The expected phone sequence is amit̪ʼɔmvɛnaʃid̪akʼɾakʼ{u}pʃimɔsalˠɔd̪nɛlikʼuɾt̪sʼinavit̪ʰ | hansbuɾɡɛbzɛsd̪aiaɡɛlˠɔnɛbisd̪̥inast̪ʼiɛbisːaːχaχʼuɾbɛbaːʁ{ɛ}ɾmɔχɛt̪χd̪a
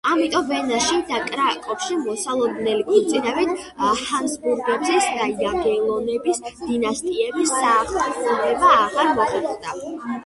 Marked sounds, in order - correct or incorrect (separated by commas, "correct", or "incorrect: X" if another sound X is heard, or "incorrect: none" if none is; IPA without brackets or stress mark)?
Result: incorrect: ɔ, incorrect: a